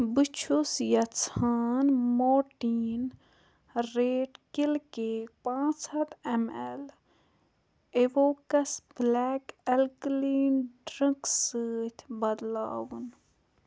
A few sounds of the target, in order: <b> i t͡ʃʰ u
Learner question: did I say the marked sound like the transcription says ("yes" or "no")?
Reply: yes